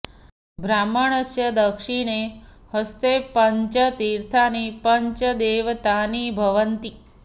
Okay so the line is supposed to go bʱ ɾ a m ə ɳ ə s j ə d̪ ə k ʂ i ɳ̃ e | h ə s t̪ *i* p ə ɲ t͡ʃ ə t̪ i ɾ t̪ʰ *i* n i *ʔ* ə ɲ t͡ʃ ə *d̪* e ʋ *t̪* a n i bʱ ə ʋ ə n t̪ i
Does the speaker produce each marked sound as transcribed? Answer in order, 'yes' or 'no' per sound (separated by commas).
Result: no, no, no, yes, yes